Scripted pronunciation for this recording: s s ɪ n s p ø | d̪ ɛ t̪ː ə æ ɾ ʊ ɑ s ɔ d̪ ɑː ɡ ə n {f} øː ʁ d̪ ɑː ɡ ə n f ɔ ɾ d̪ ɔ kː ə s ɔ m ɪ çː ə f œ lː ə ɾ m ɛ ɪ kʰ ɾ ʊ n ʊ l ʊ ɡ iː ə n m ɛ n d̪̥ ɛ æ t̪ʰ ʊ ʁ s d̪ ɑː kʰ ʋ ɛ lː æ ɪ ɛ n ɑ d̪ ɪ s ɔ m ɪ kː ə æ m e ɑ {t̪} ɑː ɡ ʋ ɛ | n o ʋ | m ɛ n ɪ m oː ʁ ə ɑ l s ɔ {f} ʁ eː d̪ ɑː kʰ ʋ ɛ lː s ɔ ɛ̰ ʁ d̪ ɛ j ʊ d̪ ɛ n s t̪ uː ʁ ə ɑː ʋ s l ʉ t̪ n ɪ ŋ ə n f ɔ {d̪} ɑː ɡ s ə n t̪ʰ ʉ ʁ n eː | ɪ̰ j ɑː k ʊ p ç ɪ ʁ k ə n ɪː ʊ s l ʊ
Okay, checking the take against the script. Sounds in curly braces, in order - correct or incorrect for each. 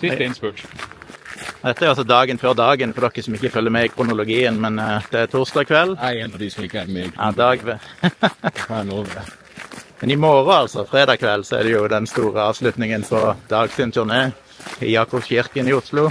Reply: correct, incorrect, correct, correct

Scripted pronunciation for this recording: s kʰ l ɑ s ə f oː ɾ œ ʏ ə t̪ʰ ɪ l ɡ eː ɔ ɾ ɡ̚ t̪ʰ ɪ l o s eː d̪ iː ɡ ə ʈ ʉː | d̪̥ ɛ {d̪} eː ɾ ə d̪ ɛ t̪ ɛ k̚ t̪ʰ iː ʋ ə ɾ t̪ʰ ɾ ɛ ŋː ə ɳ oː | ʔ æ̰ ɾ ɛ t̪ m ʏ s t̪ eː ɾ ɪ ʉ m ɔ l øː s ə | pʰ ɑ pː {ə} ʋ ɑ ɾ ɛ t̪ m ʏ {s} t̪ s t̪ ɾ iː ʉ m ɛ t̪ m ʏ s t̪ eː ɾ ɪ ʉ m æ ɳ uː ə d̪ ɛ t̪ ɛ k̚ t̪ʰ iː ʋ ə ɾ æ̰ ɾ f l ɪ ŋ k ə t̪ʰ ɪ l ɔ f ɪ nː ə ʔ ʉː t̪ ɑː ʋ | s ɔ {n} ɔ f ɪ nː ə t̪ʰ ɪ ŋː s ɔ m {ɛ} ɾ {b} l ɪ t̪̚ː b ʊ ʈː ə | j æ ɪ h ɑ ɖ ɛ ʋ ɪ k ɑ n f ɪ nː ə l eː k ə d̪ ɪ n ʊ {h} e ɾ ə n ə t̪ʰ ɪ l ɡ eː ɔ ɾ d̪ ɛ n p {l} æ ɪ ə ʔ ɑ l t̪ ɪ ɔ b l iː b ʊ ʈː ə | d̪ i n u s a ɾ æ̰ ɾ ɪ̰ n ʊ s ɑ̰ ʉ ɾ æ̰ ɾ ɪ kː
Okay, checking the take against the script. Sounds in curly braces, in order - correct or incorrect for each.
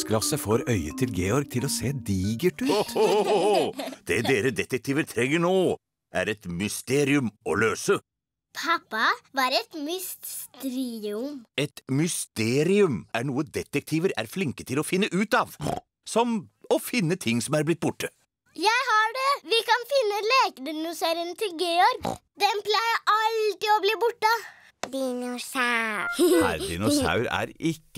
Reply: correct, incorrect, correct, incorrect, incorrect, correct, incorrect, correct

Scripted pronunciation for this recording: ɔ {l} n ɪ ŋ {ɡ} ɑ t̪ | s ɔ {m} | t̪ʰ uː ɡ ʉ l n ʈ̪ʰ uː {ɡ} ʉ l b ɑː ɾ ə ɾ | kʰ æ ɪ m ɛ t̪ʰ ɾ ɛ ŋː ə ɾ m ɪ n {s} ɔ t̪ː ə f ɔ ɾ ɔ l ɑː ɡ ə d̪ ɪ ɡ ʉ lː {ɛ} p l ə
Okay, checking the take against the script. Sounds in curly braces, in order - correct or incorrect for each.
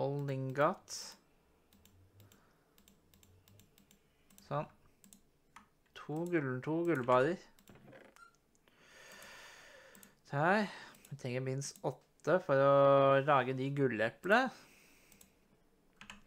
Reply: correct, correct, incorrect, correct, correct, correct

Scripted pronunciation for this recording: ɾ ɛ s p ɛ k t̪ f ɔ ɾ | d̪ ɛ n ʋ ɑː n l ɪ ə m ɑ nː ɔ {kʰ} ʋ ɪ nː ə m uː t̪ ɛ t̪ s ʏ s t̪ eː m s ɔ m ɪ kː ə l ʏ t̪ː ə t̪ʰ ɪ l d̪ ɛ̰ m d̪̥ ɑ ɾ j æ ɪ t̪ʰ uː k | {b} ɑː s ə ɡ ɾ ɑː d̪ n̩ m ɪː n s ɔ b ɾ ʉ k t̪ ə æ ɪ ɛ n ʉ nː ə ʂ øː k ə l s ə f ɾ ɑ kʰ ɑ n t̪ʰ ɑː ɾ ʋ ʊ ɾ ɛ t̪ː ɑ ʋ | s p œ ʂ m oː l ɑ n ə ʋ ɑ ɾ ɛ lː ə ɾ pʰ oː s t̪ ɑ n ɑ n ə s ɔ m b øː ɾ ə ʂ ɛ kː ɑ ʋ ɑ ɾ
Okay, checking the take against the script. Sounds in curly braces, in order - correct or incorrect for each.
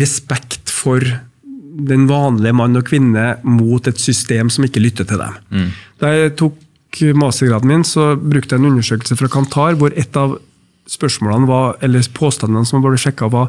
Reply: correct, incorrect

